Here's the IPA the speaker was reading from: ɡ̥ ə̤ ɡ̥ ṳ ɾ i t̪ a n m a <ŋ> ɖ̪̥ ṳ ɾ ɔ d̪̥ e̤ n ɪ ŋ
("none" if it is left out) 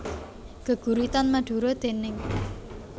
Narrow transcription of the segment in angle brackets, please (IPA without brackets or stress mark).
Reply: none